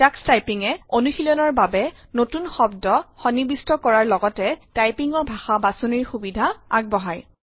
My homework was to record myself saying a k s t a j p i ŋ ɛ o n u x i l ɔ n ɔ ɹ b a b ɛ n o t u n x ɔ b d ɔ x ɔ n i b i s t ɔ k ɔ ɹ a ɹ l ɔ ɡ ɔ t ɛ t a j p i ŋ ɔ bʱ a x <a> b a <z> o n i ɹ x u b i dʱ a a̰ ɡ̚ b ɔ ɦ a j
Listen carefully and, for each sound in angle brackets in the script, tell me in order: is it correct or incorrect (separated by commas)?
correct, incorrect